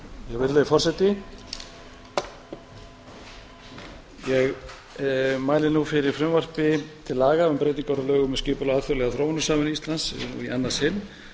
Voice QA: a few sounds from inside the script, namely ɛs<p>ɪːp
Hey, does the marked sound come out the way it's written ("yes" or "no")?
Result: no